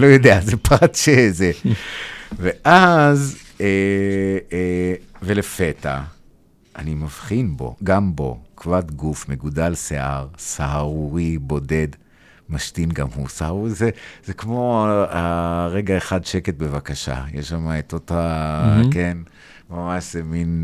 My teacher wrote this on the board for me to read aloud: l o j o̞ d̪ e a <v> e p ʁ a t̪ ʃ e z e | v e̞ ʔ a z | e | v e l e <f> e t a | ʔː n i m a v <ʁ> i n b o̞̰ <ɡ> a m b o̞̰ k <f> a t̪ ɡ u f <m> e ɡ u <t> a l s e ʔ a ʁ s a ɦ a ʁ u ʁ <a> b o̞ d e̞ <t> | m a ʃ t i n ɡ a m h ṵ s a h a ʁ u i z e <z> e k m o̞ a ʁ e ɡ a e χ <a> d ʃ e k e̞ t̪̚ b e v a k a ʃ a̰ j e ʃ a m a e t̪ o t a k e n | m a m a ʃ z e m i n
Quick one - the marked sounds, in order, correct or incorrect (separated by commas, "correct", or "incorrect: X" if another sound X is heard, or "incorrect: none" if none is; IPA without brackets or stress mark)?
incorrect: z, correct, incorrect: χ, correct, incorrect: v, correct, incorrect: d, incorrect: i, incorrect: d, correct, correct